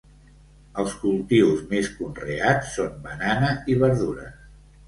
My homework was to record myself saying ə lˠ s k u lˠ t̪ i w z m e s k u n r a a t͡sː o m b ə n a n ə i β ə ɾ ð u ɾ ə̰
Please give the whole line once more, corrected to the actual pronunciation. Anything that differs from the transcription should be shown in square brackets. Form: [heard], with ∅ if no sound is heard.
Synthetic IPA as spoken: ə lˠ s k u lˠ t̪ i w z m e s k u n r [e] a t͡sː o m b ə n a n ə i β ə ɾ ð u ɾ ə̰